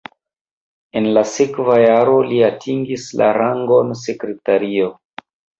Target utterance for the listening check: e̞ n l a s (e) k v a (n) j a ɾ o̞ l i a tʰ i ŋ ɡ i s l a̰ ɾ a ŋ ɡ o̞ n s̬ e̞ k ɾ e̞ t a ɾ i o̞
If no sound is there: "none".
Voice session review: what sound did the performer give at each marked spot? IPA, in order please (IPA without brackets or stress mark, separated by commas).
e, none